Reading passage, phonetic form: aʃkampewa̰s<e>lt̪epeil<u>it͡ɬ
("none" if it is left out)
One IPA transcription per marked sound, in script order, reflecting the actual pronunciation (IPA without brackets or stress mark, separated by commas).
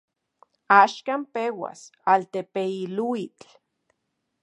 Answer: a, u